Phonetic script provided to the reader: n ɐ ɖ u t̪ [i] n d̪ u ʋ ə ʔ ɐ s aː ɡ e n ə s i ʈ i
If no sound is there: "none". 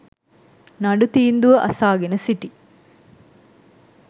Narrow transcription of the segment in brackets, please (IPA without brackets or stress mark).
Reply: iː